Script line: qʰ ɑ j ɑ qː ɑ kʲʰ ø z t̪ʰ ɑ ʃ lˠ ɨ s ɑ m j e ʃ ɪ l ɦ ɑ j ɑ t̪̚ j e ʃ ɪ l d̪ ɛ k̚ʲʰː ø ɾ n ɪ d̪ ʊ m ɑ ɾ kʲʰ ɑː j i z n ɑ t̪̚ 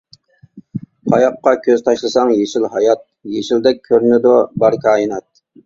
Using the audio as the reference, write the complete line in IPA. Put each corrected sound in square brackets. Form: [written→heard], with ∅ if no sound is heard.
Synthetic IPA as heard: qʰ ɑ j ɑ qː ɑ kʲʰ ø z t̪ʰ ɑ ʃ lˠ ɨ s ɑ [m→ŋ] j e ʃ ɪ l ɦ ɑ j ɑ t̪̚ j e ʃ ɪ l d̪ ɛ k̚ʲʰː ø ɾ n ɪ d̪ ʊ [m→b] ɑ ɾ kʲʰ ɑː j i [z→∅] n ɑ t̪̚